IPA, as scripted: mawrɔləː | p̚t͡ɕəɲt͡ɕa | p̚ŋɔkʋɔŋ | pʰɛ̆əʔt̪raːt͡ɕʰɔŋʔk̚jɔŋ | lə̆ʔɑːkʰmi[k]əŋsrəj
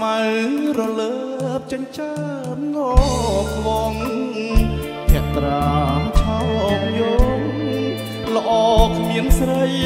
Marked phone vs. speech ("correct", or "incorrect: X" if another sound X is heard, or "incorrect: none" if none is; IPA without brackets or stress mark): incorrect: none